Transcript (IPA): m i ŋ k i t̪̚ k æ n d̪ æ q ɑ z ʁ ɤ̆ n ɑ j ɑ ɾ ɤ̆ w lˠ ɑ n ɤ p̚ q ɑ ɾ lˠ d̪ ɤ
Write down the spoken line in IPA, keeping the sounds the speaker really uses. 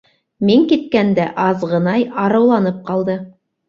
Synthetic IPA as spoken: m i ŋ k i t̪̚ k æ n d̪ æ ʔ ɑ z ʁ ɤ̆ n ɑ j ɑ ɾ ɤ̆ w lˠ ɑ n ɤ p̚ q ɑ lˠ d̪ ɤ